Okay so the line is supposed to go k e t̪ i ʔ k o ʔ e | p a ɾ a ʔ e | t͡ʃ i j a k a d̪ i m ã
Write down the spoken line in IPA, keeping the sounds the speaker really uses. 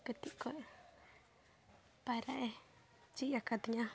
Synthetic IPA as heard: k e t̪ i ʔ k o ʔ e | p a ɾ a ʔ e | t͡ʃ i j a k a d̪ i ɲ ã